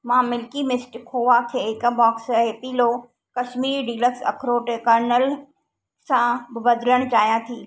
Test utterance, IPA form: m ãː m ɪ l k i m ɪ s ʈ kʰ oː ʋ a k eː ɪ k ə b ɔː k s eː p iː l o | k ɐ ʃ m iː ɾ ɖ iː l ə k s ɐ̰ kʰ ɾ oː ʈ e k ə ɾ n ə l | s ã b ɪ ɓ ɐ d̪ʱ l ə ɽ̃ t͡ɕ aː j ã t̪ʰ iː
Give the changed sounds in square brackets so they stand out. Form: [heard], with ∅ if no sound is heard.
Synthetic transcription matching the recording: m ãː m ɪ l k i m ɪ s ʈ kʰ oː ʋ a [kʰ] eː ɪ k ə b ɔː k s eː p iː l o | k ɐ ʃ m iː ɾ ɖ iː l ə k s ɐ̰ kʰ ɾ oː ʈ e k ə ɾ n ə l | s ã b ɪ [b] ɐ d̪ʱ l ə ɽ̃ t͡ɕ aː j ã t̪ʰ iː